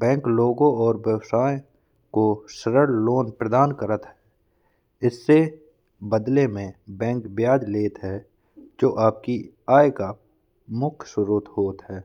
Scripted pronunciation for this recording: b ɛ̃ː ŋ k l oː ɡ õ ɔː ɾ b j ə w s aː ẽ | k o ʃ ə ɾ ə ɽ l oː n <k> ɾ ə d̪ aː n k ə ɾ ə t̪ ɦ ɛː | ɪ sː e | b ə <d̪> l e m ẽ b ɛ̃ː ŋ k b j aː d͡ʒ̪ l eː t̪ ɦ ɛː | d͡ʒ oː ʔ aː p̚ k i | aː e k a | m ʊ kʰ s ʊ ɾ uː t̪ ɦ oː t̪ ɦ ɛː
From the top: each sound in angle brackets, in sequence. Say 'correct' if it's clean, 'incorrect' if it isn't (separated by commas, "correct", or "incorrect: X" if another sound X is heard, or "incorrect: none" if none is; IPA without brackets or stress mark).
incorrect: p, correct